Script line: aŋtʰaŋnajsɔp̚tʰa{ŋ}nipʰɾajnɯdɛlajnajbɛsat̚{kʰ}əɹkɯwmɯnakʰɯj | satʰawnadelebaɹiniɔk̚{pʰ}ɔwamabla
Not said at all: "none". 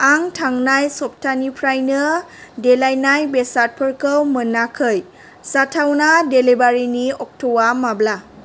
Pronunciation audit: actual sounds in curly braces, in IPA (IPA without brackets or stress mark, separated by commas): none, pʰ, tʰ